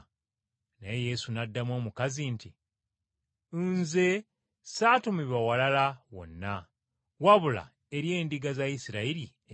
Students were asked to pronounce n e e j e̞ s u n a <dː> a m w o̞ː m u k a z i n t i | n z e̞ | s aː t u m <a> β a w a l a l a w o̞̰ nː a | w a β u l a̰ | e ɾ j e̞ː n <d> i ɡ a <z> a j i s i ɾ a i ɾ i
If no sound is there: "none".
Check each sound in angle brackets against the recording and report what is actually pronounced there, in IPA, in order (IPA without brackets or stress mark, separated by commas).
dː, i, d, z